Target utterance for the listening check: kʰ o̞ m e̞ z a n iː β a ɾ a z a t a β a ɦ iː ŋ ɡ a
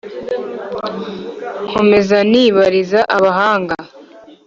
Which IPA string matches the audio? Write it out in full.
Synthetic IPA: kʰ o̞ m e̞ z a n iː β a ɾ i z a ʔ a β a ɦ aː ŋ ɡ a